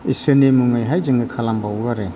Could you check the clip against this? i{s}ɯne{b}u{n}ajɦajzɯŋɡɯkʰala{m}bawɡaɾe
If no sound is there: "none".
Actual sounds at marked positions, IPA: s, m, ŋ, m

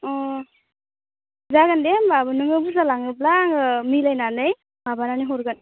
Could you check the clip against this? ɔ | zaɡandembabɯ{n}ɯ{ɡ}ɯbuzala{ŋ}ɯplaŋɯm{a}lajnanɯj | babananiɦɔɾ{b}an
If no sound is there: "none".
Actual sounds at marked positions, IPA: n, ŋ, ŋ, i, ɡ

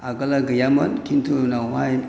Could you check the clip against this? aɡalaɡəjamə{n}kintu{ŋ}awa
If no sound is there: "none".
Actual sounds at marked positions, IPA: n, n

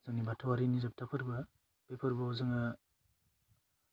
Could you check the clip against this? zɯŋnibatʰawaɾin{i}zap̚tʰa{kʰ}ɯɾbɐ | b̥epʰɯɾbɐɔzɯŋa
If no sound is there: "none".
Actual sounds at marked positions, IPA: i, pʰ

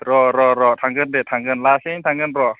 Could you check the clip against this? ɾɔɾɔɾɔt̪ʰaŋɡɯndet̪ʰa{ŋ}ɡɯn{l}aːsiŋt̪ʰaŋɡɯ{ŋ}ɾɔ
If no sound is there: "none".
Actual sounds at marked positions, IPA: ŋ, l, n

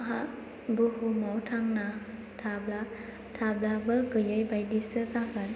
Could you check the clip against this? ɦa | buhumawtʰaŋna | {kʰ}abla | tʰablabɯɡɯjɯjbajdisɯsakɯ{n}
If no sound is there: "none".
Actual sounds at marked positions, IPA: tʰ, n

